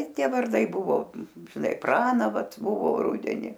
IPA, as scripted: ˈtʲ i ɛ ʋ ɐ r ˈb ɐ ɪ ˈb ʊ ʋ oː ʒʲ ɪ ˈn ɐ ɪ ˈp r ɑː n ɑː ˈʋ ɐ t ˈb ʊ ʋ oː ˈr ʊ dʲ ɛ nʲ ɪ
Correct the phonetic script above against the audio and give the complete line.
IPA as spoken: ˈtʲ i ɛ ʋ ɐ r ˈd ɐ ɪ ˈb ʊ ʋ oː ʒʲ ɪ ˈn ɐ ɪ ˈp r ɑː n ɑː ˈʋ ɐ t ˈb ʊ ʋ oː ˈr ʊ dʲ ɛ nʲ ɪ